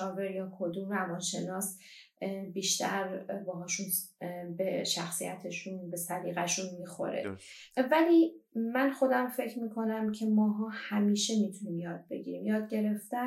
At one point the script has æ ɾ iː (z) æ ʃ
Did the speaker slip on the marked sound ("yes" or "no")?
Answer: yes